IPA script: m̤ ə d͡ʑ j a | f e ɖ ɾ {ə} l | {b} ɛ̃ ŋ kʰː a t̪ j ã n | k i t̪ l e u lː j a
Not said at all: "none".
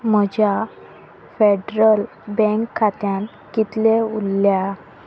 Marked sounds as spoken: ə, b

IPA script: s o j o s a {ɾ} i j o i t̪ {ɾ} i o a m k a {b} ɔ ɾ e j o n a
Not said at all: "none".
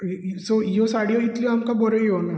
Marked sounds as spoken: ɽ, l, b

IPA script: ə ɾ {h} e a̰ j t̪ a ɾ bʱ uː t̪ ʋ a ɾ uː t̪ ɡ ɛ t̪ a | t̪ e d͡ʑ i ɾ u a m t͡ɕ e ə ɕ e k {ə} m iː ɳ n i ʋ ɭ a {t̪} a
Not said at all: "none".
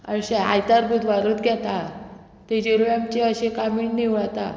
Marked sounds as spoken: ɕ, a, t̪

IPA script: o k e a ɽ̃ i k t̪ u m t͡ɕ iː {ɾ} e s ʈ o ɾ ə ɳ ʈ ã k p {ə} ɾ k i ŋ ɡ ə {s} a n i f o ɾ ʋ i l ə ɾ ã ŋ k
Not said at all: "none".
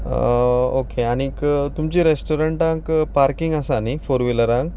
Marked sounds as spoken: ɾ, a, s

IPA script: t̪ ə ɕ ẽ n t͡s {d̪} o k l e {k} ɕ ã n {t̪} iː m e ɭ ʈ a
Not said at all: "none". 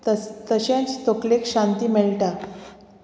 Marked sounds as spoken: t̪, k, t̪

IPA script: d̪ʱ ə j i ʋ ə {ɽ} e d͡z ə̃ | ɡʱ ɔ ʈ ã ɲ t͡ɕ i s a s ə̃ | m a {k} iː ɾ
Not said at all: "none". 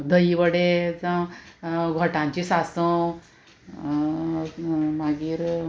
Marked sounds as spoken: ɽ, ɡ

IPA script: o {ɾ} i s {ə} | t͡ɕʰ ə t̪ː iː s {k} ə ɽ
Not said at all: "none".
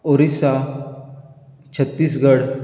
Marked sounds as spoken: ɾ, a, ɡ

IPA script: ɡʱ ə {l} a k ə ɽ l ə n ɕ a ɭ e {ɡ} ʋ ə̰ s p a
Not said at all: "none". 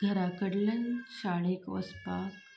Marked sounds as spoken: ɾ, k

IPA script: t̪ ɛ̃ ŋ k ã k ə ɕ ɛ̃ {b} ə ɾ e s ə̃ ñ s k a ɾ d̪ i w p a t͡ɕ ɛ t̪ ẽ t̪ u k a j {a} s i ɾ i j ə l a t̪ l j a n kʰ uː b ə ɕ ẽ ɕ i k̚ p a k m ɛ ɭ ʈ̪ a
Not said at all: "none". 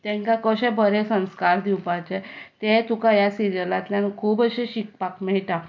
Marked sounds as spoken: b, a

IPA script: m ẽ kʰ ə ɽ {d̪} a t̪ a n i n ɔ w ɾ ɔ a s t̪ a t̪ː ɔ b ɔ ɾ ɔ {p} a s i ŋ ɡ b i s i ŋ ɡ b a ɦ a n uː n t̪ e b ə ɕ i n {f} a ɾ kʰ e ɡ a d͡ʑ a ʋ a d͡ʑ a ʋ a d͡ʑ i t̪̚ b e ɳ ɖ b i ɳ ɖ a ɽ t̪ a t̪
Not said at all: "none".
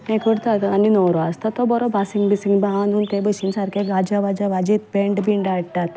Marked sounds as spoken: t̪, b, s

